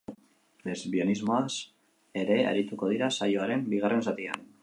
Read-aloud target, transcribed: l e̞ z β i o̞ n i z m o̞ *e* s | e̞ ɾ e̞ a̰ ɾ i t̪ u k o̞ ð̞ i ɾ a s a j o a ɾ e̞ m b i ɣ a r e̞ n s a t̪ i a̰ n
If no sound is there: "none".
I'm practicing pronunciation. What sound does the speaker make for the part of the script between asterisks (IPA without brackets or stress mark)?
a